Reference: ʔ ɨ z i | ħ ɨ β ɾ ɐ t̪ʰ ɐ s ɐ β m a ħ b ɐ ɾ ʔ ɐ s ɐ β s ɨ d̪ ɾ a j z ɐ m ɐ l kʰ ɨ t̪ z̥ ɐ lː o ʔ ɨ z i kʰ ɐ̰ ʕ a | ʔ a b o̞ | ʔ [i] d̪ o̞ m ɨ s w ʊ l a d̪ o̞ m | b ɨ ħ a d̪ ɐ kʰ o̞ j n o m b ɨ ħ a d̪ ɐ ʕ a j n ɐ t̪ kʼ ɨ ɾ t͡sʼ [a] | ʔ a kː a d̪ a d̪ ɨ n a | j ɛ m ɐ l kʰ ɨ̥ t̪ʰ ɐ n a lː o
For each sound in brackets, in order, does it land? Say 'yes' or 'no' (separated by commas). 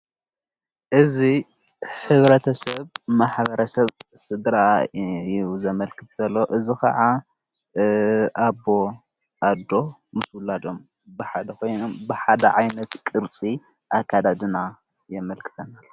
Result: no, no